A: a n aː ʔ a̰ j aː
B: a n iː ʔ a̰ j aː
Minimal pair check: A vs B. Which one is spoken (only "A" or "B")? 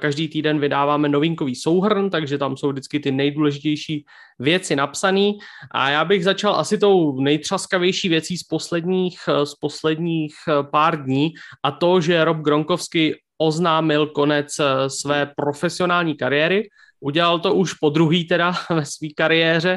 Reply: B